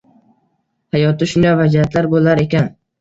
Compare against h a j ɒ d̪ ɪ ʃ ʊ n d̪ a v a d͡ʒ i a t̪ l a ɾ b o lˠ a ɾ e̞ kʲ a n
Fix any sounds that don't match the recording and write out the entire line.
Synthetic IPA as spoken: h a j ɒ t̪ ɪ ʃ ʊ n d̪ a v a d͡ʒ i a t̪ l a ɾ b o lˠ a ɾ e̞ kʲ a n